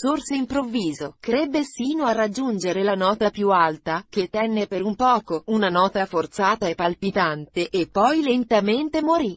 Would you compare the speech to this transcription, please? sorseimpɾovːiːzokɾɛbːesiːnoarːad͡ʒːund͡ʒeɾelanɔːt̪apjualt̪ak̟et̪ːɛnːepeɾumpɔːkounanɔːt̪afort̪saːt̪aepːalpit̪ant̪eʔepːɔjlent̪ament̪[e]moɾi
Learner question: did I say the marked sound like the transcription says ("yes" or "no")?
yes